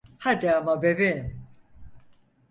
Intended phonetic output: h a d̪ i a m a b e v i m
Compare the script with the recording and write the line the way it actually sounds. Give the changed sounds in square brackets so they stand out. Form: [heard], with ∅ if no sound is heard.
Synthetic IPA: h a d̪ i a m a b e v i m

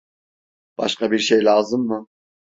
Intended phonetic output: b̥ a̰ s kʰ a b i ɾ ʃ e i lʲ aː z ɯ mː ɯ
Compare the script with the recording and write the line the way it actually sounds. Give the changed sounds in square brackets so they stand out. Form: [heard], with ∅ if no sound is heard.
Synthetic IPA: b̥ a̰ [ʃ] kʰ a b i ɾ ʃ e [j] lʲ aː z ɯ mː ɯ

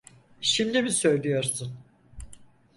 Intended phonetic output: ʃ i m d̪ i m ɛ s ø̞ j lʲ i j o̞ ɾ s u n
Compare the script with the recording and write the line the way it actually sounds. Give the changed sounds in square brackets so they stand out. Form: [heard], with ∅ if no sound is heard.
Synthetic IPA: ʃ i m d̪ i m [i] s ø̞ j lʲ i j o̞ ɾ s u n

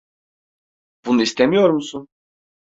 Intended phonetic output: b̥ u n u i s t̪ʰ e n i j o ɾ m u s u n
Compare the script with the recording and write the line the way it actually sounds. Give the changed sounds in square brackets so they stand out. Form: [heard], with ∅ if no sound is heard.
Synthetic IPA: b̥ u n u i s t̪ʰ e [m] i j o ɾ m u s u n

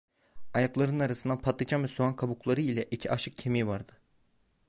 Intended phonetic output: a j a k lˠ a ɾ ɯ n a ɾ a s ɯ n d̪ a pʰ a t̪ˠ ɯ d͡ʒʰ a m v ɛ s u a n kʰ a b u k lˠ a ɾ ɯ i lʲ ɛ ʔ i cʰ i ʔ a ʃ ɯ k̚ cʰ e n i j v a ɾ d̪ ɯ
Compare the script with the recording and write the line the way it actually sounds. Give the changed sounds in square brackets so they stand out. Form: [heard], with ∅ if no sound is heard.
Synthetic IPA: a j a k lˠ a ɾ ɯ n a ɾ a s ɯ n d̪ a pʰ a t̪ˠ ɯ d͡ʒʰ a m v ɛ s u a n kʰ a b u k lˠ a ɾ ɯ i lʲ ɛ ʔ i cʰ i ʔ a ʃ ɯ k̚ cʰ e [m] i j v a ɾ d̪ ɯ

